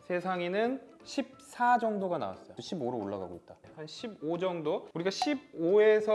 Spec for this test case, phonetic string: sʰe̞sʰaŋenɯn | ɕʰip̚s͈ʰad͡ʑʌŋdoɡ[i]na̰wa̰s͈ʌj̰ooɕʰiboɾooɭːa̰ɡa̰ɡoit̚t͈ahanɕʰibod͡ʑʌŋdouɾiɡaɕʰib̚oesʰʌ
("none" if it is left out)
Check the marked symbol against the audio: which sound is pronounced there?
a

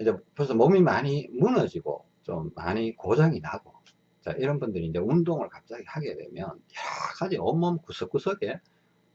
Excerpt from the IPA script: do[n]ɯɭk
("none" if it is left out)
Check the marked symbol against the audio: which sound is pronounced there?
ŋ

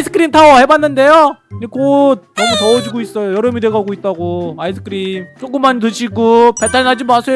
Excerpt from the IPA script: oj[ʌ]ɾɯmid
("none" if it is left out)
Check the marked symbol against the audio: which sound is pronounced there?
ʌ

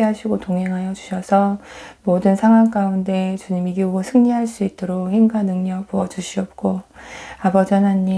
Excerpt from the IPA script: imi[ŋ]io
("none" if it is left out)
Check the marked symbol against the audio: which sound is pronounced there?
ɡ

